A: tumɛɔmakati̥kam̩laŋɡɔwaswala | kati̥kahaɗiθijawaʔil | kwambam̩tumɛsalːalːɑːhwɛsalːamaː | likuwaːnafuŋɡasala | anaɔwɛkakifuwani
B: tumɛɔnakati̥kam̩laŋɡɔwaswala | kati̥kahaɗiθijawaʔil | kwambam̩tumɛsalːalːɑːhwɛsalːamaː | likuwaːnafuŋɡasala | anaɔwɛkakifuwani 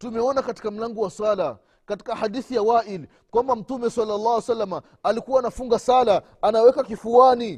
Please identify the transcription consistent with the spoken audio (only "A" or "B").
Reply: B